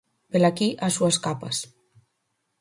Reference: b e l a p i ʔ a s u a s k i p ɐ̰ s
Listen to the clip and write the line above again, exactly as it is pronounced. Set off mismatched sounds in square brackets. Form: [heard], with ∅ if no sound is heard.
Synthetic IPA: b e l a [k] i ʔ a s u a s k [a] p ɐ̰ s